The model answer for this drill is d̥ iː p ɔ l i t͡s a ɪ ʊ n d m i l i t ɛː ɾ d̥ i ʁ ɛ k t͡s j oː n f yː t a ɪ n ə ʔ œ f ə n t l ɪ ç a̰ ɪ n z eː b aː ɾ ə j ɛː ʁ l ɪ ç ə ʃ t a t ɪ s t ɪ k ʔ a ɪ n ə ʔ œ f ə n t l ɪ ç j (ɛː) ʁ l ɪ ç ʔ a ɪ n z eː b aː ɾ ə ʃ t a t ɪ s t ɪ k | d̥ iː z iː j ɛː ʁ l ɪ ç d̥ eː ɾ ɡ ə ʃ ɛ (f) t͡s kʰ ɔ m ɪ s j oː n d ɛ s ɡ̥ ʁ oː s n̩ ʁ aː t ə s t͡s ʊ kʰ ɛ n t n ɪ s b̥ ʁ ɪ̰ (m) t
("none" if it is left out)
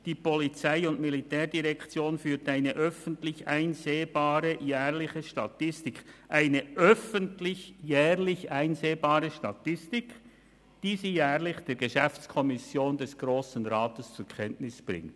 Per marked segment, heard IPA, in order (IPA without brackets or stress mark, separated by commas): ɛː, f, ŋ